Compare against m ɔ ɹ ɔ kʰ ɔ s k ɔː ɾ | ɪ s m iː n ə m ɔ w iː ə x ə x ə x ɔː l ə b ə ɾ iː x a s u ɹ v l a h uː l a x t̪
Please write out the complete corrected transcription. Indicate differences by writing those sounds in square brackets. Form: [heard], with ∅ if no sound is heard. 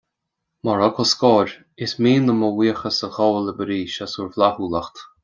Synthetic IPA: m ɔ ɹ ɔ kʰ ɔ s k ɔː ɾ | ɪ s m iː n ə m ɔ w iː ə x ə [s] ə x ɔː l ə b ə ɾ iː [ʃ] a s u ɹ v l a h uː l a x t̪